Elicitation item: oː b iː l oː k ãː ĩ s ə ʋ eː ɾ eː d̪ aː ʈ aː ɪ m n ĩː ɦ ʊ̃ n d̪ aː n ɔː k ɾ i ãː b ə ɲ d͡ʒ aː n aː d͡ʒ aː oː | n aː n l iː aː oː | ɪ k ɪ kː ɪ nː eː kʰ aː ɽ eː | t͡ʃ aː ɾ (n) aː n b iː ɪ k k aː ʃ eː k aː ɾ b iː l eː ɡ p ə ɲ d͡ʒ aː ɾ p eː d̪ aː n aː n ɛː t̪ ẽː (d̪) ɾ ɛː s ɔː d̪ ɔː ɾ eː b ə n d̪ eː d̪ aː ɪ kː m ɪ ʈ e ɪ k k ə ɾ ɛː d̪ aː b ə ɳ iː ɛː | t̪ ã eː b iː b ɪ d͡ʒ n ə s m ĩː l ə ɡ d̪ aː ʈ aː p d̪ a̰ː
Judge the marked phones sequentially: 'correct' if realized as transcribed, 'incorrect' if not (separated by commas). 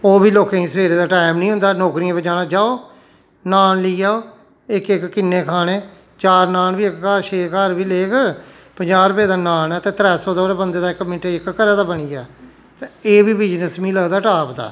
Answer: correct, incorrect